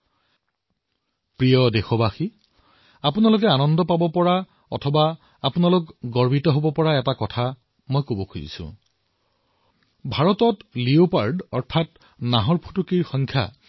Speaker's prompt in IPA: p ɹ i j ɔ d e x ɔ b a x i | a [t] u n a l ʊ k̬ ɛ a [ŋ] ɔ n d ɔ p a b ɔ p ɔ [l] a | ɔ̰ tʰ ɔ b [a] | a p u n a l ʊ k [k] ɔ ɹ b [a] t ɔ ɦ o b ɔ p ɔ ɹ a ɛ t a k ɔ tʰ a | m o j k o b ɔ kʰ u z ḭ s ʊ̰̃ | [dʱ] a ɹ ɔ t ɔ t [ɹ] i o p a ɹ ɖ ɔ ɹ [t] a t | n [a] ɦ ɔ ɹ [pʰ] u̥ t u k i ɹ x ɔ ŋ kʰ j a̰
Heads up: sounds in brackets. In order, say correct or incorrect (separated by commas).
incorrect, incorrect, incorrect, correct, incorrect, incorrect, incorrect, incorrect, incorrect, correct, correct